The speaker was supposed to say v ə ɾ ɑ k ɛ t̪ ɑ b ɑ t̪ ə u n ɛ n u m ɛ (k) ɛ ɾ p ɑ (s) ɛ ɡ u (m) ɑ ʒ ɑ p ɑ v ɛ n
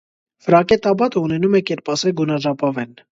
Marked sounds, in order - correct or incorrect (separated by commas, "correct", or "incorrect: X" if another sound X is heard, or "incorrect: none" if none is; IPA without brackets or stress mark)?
correct, correct, incorrect: n